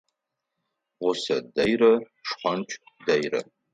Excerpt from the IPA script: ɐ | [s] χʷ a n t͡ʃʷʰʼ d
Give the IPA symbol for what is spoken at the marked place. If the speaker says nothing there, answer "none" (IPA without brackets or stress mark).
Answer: ʂ